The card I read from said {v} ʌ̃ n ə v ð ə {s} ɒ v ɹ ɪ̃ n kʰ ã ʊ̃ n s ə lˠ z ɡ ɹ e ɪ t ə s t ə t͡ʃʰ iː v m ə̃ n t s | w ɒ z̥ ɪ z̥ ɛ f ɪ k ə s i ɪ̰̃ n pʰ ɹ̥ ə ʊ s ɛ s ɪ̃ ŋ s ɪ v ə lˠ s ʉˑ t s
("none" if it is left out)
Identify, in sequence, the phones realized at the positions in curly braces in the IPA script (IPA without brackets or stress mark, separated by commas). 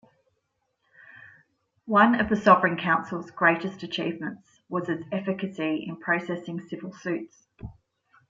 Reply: w, s